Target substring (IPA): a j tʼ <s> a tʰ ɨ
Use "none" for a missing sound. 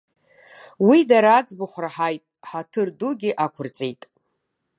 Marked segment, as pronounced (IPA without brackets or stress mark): ħ